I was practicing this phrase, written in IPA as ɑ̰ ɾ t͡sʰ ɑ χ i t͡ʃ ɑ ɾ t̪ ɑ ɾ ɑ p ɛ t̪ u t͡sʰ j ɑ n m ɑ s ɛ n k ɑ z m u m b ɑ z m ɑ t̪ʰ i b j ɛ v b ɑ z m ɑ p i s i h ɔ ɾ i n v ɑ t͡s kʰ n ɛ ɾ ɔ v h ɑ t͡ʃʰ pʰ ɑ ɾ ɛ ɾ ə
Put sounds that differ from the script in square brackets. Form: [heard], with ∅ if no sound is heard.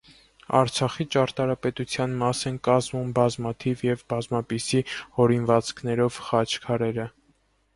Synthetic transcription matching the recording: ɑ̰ ɾ t͡sʰ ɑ χ i t͡ʃ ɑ ɾ t̪ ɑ ɾ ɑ p ɛ t̪ u t͡sʰ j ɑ n m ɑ s ɛ n k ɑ z m u m b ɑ z m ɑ t̪ʰ i [v] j ɛ v b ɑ z m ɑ p i s i h ɔ ɾ i n v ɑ t͡s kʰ n ɛ ɾ ɔ v [χ] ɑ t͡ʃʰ [kʰ] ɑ ɾ ɛ ɾ ə